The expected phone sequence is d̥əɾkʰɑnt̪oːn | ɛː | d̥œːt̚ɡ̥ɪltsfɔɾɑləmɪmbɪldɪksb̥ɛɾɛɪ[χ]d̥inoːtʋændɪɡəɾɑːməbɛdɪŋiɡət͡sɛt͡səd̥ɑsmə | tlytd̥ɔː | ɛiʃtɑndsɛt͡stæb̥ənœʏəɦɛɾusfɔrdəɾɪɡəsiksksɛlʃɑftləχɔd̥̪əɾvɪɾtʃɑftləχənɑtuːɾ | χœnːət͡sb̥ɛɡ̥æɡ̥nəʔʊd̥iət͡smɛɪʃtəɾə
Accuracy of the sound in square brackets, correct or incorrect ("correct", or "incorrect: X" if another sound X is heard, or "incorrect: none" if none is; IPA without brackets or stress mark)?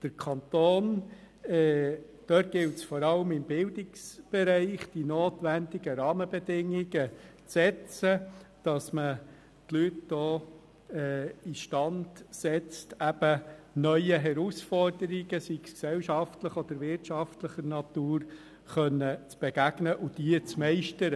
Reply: correct